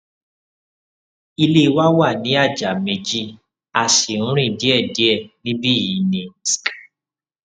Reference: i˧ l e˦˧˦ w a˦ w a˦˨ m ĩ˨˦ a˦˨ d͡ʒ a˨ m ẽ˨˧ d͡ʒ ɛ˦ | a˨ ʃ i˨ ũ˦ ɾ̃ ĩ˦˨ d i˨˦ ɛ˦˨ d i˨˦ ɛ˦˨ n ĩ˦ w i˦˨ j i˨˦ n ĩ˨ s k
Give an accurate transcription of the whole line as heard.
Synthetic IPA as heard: i˧ l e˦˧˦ w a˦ w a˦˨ n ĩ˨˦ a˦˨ d͡ʒ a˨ m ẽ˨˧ d͡ʒ i˦ | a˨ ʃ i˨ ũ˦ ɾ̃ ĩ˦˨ d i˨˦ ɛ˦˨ d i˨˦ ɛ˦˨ n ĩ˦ b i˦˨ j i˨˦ n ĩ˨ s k